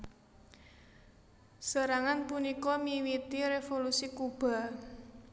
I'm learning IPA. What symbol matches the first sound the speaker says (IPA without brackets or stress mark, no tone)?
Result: s